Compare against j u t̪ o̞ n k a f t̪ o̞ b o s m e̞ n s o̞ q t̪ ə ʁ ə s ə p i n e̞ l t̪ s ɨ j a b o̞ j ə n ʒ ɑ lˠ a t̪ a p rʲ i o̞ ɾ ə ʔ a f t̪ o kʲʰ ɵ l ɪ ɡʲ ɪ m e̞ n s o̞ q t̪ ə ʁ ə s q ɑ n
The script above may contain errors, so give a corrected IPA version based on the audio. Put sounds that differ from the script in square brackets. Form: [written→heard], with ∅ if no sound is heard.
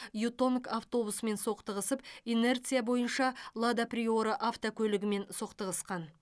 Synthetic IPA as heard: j u t̪ o̞ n k a f t̪ o̞ b [o→u] s m e̞ n s o̞ q t̪ ə ʁ ə s ə p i n e̞ [l→r] t̪ s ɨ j a b o̞ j ə n [ʒ→ʃ] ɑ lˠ a [t̪→d̪] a p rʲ i o̞ ɾ ə ʔ a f t̪ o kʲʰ ɵ l ɪ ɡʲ ɪ m e̞ n s o̞ q t̪ ə ʁ ə s q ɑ n